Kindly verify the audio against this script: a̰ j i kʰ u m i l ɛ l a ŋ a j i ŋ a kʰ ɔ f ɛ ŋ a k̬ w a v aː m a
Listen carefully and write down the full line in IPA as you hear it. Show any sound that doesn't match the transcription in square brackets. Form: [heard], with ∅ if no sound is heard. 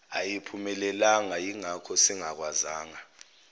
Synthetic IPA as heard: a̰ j i [pʰ] u m [ɛ] l ɛ l a ŋ a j i ŋ a kʰ ɔ [s] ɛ ŋ a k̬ w a [z] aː [ŋ] a